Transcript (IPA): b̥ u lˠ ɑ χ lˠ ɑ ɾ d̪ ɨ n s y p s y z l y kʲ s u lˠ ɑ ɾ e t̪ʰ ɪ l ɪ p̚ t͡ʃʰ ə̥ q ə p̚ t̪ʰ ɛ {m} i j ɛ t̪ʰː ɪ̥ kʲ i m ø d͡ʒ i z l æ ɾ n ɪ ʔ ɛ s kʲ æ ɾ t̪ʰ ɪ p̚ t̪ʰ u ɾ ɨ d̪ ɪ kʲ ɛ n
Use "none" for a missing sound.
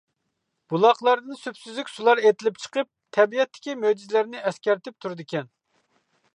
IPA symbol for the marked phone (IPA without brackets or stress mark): b